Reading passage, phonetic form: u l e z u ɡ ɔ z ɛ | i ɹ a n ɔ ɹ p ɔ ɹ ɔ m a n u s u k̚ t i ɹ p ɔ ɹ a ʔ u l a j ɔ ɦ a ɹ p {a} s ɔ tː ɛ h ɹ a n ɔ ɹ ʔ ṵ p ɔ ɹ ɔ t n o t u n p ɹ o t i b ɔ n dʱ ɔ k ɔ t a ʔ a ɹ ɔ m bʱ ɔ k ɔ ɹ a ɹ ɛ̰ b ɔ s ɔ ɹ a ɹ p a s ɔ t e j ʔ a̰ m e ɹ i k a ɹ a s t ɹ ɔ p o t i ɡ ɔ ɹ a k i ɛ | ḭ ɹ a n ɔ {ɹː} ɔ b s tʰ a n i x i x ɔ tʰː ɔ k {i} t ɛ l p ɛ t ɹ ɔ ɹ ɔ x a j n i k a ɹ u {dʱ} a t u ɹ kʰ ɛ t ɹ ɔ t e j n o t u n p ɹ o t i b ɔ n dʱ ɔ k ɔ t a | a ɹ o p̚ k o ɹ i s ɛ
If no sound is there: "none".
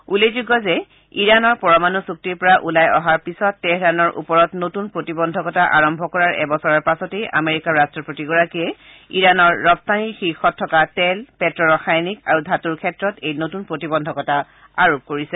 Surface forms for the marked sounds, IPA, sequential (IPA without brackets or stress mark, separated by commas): i, ɹː, a, dʱ